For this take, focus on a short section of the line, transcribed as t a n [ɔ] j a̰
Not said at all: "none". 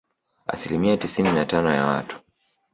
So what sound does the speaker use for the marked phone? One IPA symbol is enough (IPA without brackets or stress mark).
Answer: ɔ